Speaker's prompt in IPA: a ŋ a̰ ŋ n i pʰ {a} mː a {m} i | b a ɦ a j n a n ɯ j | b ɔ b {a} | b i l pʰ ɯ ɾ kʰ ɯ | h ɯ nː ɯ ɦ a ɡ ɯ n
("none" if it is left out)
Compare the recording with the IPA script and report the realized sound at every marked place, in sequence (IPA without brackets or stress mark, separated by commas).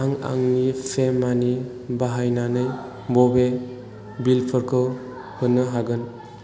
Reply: e, n, e